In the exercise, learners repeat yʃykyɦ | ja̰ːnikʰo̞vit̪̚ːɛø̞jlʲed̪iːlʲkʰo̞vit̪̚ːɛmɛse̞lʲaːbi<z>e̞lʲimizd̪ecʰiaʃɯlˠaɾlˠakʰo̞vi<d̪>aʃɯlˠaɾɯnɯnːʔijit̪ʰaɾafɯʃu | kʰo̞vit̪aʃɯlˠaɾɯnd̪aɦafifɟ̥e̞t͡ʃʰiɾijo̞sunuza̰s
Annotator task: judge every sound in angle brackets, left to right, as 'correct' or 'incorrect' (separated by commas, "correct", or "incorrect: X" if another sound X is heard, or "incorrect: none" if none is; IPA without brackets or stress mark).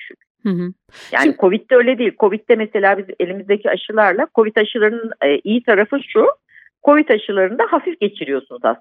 correct, incorrect: t̪